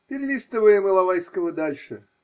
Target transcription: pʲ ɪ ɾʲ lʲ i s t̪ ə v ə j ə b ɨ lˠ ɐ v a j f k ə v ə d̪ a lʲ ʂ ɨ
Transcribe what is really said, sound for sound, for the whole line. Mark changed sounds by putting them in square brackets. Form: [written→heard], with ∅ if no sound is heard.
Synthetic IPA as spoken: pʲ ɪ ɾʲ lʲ i s t̪ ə v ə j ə [b→m] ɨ lˠ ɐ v a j [f→s] k ə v ə d̪ a lʲ ʂ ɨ